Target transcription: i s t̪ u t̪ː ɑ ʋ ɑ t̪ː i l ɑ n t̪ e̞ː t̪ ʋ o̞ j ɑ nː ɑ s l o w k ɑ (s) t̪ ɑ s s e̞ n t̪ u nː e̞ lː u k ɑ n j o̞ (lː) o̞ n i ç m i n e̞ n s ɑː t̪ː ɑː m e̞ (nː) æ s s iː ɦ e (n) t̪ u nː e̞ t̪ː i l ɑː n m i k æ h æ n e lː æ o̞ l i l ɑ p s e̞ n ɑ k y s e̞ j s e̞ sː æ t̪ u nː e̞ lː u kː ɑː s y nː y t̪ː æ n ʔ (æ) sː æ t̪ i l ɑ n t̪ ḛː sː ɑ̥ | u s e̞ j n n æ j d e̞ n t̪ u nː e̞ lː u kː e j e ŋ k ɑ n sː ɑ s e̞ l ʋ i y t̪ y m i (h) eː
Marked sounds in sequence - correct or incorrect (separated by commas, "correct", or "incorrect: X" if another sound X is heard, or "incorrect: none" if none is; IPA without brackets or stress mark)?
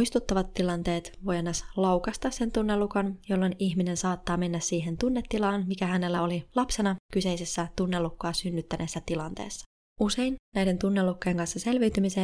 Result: correct, correct, correct, correct, incorrect: e, incorrect: s